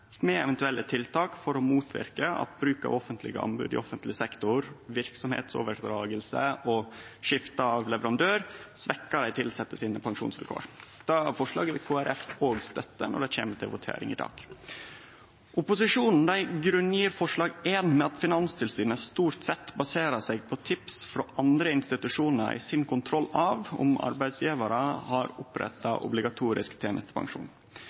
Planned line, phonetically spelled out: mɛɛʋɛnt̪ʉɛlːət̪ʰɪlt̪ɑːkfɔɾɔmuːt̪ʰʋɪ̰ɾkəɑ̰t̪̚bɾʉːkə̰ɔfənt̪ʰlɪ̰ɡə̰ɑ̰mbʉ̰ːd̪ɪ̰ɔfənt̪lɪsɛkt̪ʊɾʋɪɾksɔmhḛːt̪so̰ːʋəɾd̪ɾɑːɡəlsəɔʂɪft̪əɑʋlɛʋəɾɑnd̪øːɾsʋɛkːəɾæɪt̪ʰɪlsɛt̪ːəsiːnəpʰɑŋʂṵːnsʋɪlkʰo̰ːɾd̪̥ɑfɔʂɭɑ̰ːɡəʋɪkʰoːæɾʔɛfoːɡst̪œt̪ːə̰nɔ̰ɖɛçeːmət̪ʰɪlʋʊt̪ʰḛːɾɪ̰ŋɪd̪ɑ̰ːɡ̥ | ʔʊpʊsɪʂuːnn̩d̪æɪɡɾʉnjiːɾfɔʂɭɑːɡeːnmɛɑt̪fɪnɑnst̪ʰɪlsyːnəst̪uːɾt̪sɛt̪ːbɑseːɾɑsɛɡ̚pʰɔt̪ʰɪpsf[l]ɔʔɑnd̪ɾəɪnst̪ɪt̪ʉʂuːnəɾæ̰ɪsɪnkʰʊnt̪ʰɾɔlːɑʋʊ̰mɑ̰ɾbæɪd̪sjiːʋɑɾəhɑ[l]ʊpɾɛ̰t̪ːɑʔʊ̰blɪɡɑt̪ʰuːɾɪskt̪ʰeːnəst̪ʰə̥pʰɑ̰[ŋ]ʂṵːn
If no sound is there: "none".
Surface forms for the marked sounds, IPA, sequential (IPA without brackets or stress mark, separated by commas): ɾ, ɾ, ŋ